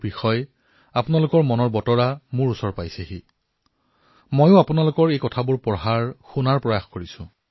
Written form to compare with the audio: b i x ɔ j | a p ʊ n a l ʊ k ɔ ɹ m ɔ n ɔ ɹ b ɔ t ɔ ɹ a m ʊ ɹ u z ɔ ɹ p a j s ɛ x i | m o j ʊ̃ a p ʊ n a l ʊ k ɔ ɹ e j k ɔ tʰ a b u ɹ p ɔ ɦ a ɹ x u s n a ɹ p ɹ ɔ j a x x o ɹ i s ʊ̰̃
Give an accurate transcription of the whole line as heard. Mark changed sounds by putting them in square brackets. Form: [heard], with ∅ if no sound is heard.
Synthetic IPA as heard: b i x ɔ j | a p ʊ n a l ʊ k ɔ ɹ m ɔ n ɔ ɹ b ɔ t ɔ ɹ a m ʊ ɹ u [s] ɔ ɹ p a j s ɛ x i | m o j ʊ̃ a p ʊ n a l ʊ k ɔ ɹ e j k ɔ tʰ a b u ɹ p ɔ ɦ a ɹ x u [∅] n a ɹ p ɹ ɔ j a x [k] o ɹ i s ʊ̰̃